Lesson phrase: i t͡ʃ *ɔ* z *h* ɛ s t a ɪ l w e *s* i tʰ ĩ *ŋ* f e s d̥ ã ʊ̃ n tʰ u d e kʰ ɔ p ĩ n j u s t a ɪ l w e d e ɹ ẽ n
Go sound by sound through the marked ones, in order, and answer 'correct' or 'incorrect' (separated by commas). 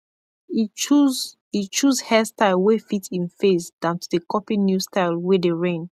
incorrect, correct, incorrect, incorrect